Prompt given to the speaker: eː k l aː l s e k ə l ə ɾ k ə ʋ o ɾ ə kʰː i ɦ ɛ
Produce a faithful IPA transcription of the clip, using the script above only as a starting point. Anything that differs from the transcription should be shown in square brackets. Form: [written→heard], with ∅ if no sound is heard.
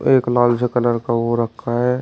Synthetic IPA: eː k l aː l s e k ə l ə ɾ k [ə→a] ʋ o ɾ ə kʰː [i→a] ɦ ɛ